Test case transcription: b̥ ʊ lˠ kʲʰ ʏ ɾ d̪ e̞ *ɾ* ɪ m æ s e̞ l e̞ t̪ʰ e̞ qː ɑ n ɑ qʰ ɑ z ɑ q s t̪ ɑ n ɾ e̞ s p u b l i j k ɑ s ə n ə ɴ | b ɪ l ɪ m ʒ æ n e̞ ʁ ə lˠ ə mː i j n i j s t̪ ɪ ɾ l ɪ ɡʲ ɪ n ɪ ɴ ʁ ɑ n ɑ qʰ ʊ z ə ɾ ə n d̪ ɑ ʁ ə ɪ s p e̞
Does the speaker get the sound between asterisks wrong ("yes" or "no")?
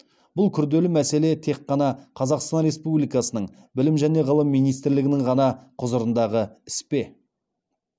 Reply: yes